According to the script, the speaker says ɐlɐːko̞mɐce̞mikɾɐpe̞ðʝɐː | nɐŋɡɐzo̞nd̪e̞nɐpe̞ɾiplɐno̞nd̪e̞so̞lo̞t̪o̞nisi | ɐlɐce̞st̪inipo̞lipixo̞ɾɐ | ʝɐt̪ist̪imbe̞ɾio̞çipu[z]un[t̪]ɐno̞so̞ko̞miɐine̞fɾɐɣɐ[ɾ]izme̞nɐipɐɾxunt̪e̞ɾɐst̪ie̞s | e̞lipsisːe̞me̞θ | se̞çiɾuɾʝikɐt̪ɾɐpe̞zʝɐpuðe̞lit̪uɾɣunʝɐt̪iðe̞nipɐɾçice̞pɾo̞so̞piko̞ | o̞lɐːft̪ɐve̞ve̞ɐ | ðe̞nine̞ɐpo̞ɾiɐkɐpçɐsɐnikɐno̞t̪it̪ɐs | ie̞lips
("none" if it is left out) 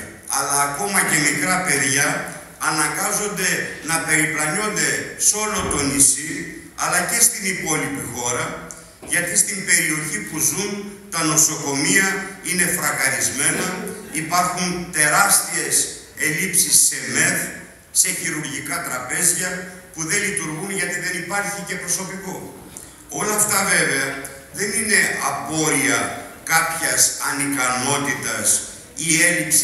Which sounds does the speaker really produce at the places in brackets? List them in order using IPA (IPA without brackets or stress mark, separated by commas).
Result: z, t̪, ɾ